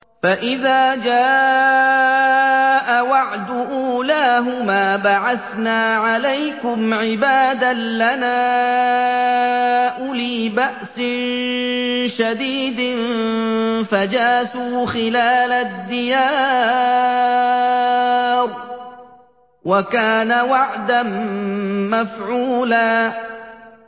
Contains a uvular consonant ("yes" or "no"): no